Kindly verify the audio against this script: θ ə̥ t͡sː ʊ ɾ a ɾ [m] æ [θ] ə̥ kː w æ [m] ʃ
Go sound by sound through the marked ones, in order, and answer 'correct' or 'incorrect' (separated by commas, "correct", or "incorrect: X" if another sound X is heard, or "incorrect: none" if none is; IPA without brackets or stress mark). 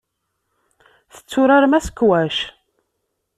correct, incorrect: s, incorrect: none